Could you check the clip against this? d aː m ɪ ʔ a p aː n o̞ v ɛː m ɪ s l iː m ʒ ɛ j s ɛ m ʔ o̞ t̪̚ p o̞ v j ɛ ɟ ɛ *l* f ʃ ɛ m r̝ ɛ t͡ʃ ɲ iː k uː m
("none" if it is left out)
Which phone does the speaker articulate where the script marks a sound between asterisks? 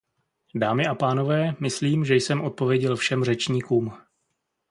l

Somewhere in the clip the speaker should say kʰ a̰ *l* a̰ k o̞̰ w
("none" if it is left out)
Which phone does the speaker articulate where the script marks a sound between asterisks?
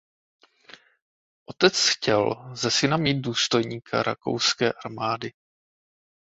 ɾ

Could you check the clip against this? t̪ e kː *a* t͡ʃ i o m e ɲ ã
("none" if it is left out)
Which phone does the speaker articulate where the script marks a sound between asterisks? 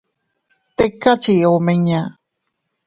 a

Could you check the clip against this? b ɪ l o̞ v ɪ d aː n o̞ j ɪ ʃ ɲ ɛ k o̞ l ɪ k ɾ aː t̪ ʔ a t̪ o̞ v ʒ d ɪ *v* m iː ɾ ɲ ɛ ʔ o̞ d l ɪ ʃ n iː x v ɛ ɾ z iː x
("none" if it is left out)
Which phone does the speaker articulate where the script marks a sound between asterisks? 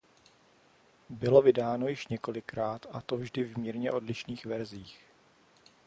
v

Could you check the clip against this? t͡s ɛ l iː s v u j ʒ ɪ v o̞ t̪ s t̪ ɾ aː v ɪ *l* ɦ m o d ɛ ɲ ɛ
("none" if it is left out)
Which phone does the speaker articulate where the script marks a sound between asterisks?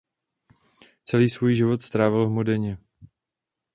l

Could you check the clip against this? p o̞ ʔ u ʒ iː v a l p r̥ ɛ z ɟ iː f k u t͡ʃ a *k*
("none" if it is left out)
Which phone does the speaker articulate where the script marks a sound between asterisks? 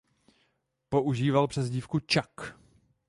k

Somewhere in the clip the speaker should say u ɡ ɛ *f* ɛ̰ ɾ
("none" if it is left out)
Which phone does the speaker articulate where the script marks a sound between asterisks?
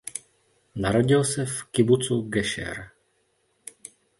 ʃ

